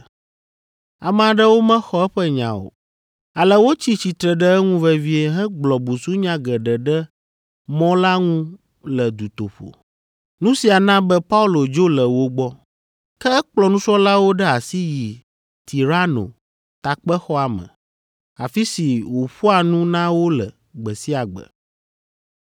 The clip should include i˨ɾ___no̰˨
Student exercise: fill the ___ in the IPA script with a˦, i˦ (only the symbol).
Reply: a˦